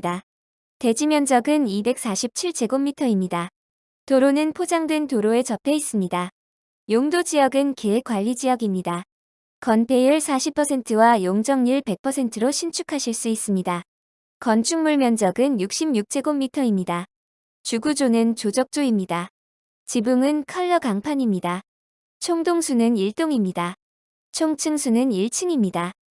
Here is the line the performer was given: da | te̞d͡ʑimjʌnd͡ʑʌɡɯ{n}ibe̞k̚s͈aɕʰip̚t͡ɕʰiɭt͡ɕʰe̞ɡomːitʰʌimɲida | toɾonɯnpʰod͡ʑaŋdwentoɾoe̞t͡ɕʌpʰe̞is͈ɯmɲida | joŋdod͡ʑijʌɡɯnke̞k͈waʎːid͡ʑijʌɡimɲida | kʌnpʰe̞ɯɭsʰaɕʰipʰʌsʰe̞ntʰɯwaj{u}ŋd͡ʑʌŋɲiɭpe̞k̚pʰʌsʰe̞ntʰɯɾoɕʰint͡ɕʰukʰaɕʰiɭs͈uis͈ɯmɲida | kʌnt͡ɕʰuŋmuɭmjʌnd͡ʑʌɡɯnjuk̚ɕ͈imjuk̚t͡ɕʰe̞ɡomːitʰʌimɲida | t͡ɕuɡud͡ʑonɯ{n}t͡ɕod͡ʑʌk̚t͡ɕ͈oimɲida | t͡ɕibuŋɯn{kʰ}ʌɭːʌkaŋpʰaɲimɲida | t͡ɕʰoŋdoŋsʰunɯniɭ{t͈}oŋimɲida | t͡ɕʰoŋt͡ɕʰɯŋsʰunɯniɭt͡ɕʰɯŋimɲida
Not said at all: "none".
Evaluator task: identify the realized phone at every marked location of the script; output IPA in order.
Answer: n, o, n, kʰ, t͈

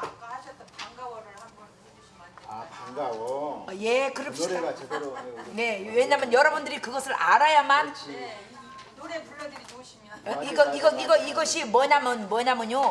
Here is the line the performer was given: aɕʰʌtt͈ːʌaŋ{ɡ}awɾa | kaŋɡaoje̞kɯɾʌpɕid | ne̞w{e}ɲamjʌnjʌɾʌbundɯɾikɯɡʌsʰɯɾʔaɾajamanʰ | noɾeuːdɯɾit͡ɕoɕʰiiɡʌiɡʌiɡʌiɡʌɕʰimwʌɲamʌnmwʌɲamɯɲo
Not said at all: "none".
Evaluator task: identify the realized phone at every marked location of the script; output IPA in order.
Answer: ɡ, e

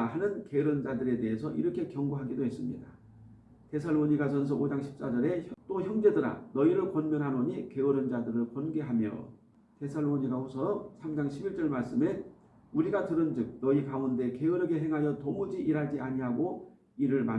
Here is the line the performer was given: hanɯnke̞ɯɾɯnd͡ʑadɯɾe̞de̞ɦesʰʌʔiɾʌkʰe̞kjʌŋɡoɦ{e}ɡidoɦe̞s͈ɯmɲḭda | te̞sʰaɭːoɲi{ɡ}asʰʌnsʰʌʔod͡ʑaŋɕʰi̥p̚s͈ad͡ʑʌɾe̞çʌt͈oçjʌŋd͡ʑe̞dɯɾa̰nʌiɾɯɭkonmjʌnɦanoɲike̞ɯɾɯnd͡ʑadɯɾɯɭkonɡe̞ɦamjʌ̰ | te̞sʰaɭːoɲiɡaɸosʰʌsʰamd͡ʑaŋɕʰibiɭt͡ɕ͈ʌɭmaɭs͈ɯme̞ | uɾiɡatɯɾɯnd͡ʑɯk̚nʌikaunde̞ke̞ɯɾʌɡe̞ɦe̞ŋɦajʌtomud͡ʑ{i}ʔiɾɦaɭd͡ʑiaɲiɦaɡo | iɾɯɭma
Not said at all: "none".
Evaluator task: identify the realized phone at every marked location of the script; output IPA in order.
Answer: a, ɡ, i

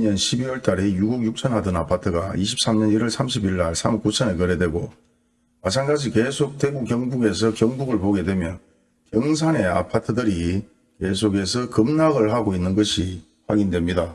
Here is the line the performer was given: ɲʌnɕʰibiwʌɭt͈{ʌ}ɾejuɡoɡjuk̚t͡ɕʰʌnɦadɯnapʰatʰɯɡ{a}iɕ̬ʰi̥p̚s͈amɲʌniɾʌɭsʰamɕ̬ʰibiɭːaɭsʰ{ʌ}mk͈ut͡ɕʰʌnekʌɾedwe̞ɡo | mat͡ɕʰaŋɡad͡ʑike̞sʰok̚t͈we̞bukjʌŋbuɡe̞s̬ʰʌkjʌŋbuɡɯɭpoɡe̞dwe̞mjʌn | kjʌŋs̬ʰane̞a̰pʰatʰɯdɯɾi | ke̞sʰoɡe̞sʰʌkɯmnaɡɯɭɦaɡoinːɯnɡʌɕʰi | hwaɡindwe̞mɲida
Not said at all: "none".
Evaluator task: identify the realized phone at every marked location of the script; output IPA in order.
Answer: a, a, a

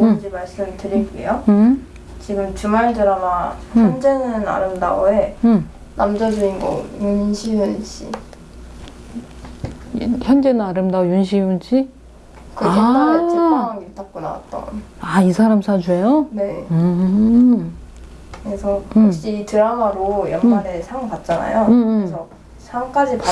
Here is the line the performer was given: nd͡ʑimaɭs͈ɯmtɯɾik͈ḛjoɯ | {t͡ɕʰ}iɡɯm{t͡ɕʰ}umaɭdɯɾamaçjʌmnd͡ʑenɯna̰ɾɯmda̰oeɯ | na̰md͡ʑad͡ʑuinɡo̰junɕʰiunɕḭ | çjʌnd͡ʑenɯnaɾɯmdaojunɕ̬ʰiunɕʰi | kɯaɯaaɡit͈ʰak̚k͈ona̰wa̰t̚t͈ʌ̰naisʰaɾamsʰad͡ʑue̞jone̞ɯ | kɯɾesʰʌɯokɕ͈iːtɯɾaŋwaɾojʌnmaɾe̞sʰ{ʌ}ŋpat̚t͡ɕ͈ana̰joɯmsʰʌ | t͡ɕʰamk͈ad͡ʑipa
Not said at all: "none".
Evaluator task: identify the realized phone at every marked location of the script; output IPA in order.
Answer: t͡ɕ, t͡ɕ, a

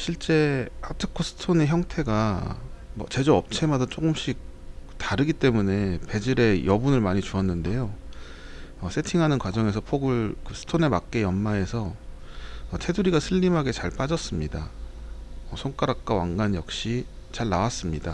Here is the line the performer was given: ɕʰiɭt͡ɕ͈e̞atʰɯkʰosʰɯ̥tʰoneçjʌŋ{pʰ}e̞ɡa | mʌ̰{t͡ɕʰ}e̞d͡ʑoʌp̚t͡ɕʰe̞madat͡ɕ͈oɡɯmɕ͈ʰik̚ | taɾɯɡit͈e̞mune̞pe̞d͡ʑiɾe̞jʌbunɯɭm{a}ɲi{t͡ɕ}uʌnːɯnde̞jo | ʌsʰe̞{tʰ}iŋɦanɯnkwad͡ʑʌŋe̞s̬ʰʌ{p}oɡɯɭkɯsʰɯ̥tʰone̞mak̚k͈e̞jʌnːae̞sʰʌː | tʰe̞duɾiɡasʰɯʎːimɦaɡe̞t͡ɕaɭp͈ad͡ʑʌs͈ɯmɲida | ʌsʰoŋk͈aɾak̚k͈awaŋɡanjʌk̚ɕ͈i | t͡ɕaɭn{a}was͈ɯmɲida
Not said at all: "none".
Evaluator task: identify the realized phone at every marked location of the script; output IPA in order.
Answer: tʰ, t͡ɕ, a, t͡ɕ, tʰ, pʰ, a

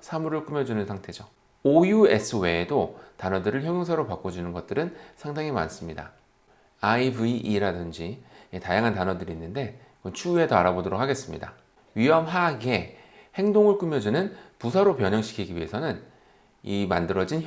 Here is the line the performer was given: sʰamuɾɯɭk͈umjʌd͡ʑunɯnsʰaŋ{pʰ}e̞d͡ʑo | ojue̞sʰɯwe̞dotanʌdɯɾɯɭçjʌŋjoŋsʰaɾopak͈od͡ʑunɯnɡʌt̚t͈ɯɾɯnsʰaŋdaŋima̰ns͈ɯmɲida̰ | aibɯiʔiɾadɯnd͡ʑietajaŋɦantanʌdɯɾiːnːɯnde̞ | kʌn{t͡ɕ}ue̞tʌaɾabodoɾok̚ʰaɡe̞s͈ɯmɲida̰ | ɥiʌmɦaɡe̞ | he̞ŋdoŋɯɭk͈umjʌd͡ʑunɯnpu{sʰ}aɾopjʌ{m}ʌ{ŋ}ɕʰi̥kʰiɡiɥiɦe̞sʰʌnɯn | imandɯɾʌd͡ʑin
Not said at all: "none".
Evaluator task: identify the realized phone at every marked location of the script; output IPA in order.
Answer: tʰ, t͡ɕʰ, sʰ, ɲ, ŋ

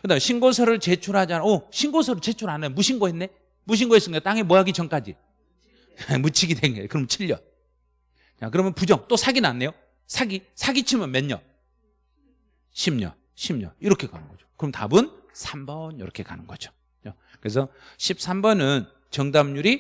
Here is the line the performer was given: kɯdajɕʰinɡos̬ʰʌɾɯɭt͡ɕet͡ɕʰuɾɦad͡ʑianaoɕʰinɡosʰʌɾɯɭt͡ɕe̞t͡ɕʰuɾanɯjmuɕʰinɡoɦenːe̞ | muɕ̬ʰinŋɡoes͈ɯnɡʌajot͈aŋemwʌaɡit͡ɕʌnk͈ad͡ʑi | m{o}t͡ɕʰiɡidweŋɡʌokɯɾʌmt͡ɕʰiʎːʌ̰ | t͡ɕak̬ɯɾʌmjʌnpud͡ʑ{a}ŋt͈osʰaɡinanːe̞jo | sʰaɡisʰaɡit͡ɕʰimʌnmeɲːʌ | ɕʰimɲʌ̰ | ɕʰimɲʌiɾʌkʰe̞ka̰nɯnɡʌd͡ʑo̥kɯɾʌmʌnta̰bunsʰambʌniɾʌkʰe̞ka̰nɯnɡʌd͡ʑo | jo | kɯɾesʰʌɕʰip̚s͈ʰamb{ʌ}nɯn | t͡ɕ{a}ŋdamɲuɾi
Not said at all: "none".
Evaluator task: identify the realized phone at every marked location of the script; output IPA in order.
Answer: u, ʌ, ʌ, ʌ

